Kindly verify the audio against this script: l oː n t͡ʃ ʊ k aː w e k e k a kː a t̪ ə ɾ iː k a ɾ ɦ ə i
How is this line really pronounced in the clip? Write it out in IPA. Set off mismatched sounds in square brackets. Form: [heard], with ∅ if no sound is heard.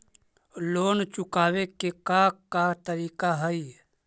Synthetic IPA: l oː n t͡ʃ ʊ k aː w e k e k a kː a t̪ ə ɾ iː k a [∅] ɦ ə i